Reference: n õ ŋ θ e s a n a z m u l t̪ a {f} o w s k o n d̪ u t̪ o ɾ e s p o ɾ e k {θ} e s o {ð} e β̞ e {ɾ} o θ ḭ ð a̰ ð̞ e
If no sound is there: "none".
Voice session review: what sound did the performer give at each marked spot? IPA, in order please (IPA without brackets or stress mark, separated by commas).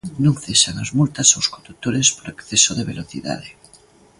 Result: s, θ, ð, l